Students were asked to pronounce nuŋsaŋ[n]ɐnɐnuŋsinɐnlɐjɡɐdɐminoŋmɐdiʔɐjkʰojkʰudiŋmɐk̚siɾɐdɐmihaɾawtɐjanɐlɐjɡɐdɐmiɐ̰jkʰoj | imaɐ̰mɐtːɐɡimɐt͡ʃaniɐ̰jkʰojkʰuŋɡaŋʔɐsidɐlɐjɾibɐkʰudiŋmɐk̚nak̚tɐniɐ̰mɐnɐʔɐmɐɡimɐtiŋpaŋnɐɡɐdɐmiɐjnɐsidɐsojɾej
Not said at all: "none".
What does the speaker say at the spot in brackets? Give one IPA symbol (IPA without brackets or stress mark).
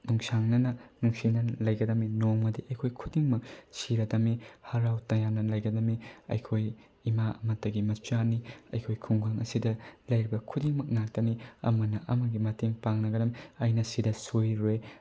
n